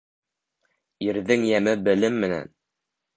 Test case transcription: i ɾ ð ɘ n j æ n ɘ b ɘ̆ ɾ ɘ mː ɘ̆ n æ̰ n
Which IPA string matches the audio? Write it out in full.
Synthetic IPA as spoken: i ɾ ð ɘ ŋ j æ m ɘ b ɘ̆ l ɘ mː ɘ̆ n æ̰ n